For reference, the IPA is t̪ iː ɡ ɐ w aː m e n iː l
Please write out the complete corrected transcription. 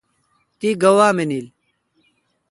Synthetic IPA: t̪ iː ɡ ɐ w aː m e n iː l